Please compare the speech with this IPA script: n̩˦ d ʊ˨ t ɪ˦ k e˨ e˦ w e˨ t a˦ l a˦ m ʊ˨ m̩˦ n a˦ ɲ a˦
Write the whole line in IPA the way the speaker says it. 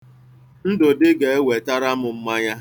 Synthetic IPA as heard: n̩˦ d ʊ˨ d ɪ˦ ɡ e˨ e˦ w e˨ t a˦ ɾ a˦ m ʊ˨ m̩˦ m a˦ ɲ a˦